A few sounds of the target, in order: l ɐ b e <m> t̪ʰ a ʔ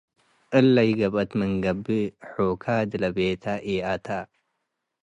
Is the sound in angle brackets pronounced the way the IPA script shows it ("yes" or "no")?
no